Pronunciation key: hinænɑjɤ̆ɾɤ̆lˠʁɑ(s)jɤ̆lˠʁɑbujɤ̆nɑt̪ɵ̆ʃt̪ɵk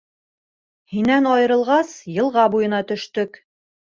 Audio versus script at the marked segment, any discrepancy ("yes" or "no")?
no